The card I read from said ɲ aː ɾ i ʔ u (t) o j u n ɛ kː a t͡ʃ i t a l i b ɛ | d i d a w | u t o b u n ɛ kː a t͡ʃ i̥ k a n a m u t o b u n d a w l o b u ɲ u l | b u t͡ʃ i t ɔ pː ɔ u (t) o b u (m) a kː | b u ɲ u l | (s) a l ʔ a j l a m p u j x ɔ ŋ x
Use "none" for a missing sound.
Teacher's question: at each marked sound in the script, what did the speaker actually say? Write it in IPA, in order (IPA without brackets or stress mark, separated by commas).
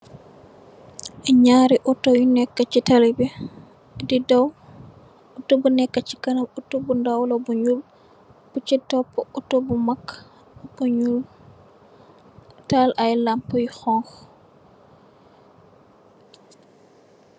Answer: t, t, m, t